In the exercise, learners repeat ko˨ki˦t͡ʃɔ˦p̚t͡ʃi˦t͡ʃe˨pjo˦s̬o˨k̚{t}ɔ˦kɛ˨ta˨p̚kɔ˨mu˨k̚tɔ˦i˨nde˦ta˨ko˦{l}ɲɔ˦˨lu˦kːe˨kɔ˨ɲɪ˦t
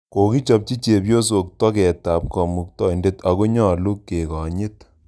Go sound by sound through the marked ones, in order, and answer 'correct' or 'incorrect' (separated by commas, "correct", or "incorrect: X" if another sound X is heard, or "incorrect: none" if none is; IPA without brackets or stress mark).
correct, incorrect: none